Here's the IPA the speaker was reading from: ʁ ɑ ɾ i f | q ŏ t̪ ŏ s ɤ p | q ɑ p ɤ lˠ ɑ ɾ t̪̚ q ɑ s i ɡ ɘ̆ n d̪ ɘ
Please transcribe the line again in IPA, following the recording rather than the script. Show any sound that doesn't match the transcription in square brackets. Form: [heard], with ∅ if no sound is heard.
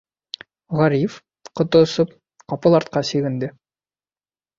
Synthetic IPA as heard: ʁ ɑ ɾ i f | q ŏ t̪ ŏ s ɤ p | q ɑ p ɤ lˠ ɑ ɾ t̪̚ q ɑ s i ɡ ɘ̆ n d̪ ɘ